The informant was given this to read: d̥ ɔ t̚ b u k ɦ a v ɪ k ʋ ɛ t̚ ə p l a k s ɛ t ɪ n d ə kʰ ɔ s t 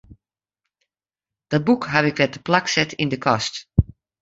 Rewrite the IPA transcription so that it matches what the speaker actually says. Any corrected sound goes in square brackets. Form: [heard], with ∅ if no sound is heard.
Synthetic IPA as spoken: d̥ ɔ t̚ b u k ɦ a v ɪ k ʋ ɛ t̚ ə p l a k s ɛ t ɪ n d ə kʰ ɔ s t